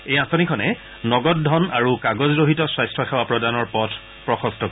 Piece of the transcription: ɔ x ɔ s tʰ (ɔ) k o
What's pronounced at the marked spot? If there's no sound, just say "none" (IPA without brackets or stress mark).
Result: ɔ